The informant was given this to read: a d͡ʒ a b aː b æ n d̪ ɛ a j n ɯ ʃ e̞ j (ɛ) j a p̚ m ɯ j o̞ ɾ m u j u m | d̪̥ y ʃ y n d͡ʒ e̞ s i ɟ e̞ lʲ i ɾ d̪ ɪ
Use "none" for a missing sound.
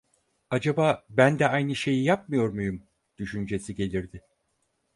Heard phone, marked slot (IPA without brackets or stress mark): i